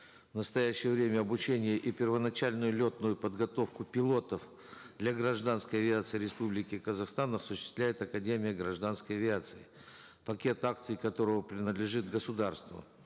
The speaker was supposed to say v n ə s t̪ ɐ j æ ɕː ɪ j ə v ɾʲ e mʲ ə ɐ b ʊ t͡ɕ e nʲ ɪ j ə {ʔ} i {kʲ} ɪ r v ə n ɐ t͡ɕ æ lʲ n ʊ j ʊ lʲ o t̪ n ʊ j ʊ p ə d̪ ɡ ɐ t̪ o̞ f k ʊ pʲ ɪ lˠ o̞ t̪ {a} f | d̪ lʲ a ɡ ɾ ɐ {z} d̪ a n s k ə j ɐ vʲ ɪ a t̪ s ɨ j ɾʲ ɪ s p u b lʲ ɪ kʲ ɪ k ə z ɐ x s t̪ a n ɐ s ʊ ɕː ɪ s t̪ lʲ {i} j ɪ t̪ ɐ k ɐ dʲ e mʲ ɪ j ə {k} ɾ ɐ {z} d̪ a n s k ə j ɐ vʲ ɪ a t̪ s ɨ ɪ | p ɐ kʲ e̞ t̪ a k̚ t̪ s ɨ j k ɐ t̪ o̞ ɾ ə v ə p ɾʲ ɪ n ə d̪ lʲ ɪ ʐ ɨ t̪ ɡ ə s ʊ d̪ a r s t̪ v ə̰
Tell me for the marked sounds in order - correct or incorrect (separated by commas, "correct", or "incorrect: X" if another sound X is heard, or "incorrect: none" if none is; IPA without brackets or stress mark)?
correct, incorrect: pʲ, incorrect: ə, incorrect: ʐ, incorrect: æ, incorrect: ɡ, incorrect: ʐ